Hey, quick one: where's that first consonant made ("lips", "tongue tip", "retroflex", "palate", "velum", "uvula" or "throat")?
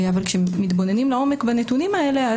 lips